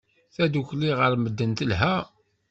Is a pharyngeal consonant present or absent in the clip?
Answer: absent